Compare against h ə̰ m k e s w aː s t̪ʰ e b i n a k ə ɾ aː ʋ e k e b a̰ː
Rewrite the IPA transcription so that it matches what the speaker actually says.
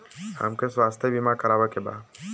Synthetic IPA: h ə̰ m k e s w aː s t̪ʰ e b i m a k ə ɾ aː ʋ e k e b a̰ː